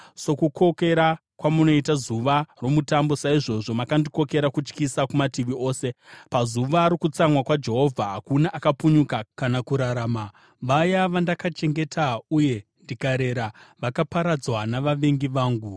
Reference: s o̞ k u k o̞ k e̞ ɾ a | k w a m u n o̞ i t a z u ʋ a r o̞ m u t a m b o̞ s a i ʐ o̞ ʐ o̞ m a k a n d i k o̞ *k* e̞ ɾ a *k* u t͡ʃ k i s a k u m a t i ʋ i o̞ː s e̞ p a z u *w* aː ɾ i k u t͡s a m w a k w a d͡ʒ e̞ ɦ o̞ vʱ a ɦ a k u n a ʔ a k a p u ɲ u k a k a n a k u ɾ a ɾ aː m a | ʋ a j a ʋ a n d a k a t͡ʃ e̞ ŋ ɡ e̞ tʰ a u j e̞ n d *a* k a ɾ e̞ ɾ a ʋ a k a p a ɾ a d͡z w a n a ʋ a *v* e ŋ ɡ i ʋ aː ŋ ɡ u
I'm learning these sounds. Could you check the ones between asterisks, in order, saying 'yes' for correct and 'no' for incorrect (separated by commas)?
yes, yes, no, no, no